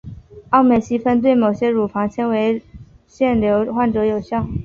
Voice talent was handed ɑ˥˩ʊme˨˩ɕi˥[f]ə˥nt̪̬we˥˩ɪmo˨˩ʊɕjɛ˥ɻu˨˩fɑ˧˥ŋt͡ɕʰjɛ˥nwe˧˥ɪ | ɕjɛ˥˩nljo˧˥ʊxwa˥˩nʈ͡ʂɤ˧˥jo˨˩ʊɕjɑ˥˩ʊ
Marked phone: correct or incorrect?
correct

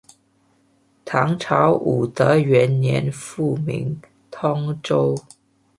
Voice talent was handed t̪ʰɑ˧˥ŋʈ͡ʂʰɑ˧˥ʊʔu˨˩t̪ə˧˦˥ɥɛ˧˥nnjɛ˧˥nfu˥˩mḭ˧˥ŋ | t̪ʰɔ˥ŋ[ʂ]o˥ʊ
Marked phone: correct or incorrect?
incorrect: ʈ͡ʂ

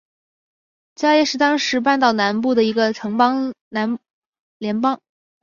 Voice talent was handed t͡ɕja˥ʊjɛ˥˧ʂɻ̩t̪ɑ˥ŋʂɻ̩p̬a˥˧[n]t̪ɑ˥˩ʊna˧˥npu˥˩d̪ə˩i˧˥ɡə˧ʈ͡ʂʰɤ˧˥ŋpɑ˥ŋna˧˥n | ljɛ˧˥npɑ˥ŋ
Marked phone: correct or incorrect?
correct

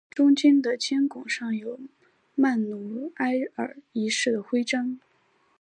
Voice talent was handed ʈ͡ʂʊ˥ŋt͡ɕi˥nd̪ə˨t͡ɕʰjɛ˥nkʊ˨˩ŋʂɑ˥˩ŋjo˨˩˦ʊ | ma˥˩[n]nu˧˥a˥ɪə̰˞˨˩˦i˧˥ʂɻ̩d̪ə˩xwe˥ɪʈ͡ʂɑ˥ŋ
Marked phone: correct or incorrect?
correct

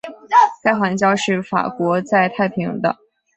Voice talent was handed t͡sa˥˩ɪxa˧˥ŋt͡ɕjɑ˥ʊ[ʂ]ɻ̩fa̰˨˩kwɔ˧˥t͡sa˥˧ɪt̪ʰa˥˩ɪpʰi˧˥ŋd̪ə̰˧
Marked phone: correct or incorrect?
correct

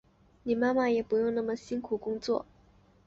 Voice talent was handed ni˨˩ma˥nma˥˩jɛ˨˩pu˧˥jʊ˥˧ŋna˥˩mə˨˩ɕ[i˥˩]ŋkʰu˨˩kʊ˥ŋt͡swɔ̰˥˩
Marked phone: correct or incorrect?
incorrect: i˥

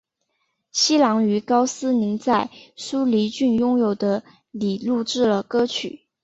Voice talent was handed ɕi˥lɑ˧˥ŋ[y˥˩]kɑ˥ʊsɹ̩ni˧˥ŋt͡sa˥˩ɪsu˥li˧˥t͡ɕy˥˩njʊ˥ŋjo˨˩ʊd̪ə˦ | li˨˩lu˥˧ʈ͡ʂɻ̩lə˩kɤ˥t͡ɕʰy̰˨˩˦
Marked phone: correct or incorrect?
incorrect: y˧˥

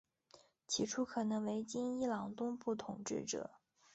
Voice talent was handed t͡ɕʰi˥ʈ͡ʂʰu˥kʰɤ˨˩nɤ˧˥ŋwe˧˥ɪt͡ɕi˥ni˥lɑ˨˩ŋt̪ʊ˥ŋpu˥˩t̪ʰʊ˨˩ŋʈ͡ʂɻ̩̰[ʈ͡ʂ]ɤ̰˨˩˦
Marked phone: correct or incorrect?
correct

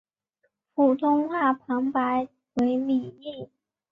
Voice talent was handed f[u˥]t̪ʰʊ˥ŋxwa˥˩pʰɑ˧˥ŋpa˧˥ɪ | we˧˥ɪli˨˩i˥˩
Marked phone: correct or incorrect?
incorrect: u˨˩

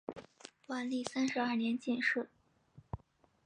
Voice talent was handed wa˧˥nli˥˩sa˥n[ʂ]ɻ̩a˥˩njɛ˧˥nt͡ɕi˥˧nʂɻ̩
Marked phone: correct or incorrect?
correct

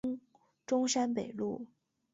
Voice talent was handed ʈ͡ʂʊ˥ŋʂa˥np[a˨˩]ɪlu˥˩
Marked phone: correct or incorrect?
incorrect: e˨˩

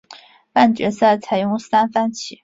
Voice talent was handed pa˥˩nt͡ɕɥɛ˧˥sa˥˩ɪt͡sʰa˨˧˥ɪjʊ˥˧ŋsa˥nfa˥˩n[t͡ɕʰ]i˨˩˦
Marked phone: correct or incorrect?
correct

